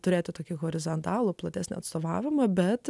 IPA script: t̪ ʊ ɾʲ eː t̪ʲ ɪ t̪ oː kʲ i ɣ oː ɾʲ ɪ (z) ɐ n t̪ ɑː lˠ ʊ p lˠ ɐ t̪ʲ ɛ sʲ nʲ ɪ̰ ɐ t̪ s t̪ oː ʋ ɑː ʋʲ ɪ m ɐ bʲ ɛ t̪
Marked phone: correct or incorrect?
correct